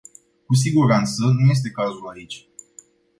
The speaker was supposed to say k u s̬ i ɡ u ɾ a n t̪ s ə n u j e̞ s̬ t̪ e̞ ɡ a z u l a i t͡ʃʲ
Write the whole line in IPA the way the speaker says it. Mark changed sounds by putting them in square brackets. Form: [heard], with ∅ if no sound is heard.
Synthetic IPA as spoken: k u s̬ i ɡ u ɾ a n t̪ s ə n u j e̞ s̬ t̪ e̞ [k] a z u l a i t͡ʃʲ

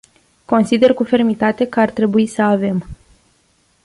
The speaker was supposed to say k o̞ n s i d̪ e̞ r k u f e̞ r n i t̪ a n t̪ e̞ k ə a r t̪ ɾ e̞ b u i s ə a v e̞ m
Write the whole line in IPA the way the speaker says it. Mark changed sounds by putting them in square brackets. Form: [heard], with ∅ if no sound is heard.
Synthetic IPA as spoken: k o̞ n s i d̪ e̞ r k u f e̞ r [m] i t̪ a [∅] t̪ e̞ k ə a r t̪ ɾ e̞ b u i s ə a v e̞ m

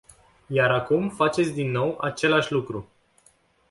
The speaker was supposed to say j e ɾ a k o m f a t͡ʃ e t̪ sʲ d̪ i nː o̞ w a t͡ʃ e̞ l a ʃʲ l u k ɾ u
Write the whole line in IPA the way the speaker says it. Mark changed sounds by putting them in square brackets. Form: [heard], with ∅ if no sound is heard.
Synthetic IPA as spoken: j [a] ɾ a k [u] m f a t͡ʃ e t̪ sʲ d̪ i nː o̞ w a t͡ʃ e̞ l a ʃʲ l u k ɾ u

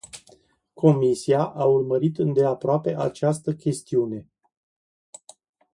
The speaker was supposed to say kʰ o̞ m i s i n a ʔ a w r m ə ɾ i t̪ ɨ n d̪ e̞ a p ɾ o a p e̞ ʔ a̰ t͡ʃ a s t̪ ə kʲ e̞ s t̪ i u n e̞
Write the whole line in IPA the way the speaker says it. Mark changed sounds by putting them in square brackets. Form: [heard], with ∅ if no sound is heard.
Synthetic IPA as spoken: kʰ o̞ m i s i [∅] a ʔ a [u] r m ə ɾ i t̪ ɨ n d̪ e̞ a p ɾ o a p e̞ ʔ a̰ t͡ʃ a s t̪ ə kʲ e̞ s t̪ i u n e̞

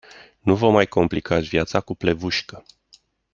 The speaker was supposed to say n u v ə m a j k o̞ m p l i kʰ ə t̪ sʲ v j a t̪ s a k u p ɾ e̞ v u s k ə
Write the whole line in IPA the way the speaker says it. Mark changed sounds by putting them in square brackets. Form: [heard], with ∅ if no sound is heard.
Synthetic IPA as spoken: n u v ə m a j k o̞ m p l i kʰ [a] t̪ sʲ v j a t̪ s a k u p [l] e̞ v u [ʃ] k ə

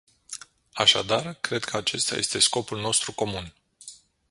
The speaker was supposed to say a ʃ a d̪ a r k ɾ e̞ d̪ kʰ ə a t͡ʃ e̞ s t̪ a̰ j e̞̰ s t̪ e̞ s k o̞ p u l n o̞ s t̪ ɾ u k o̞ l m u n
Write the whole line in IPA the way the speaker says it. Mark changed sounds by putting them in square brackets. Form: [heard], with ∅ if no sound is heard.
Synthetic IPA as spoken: a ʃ a d̪ a r k ɾ e̞ d̪ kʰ ə a t͡ʃ e̞ s t̪ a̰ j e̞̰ s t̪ e̞ s k o̞ p u l n o̞ s t̪ ɾ u k o̞ [∅] m u n

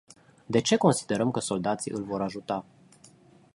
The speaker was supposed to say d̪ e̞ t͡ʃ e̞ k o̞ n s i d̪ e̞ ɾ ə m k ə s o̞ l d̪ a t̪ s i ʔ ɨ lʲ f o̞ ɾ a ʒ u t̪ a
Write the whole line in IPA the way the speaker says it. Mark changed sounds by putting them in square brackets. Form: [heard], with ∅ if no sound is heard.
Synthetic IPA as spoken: d̪ e̞ t͡ʃ e̞ k o̞ n s i d̪ e̞ ɾ ə m k ə s o̞ l d̪ a t̪ s i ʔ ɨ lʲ [v] o̞ ɾ a ʒ u t̪ a

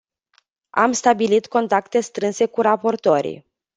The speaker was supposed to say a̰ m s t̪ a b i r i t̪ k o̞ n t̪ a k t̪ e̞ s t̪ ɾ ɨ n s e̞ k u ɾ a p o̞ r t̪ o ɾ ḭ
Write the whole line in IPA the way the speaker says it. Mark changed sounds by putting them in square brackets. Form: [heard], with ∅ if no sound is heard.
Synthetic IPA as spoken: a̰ m s t̪ a b i [l] i t̪ k o̞ n t̪ a k t̪ e̞ s t̪ ɾ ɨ n s e̞ k u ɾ a p o̞ r t̪ o ɾ ḭ

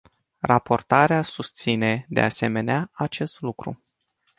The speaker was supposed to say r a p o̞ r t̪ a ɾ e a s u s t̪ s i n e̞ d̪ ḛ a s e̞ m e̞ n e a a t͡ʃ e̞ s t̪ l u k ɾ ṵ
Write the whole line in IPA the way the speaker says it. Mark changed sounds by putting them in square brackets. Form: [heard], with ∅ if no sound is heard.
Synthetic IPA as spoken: r a p o̞ r t̪ a ɾ e a s u s t̪ s i n e̞ d̪ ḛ a s e̞ m e̞ n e a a t͡ʃ e̞ s t̪ l u k ɾ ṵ

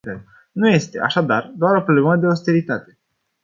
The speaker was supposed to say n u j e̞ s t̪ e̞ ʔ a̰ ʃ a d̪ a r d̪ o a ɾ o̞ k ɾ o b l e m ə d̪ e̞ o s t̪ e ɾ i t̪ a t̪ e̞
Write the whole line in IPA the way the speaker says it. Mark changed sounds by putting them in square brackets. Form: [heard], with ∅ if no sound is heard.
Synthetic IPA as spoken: n u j e̞ s t̪ e̞ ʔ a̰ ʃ a d̪ a r d̪ o a ɾ o̞ [p] ɾ o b l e m ə d̪ e̞ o s t̪ e ɾ i t̪ a t̪ e̞

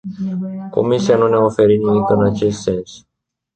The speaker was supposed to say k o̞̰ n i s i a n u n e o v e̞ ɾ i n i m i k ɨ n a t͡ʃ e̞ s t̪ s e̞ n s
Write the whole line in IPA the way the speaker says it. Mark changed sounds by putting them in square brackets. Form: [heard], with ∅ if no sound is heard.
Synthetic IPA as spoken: k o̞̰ [m] i s i a n u n e o [f] e̞ ɾ i n i m i k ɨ n a t͡ʃ e̞ s t̪ s e̞ n s

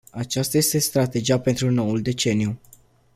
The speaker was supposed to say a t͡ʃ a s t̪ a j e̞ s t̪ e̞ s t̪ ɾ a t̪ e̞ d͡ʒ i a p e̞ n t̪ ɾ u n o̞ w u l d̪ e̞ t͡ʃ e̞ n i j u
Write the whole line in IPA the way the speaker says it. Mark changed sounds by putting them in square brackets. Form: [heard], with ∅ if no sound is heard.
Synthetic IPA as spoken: a t͡ʃ a s t̪ a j e̞ s t̪ e̞ s t̪ ɾ a t̪ e̞ d͡ʒ i a p e̞ n t̪ ɾ u n o̞ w u l d̪ e̞ t͡ʃ e̞ n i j u

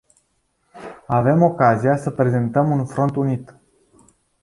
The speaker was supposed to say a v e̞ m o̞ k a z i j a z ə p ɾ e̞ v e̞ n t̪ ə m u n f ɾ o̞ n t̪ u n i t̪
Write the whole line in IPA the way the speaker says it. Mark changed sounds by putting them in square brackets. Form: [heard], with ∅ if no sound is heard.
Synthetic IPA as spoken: a v e̞ m o̞ k a z i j a [s] ə p ɾ e̞ [z] e̞ n t̪ ə m u n f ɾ o̞ n t̪ u n i t̪

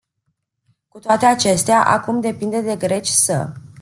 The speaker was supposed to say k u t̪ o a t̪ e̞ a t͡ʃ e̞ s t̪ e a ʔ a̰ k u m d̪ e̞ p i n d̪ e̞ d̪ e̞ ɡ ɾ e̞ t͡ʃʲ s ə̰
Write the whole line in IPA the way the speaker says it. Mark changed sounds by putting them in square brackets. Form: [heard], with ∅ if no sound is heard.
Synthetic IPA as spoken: k u t̪ o a t̪ e̞ a t͡ʃ e̞ s t̪ e a ʔ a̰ k u m d̪ e̞ p i n d̪ e̞ d̪ e̞ ɡ ɾ e̞ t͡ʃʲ s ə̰

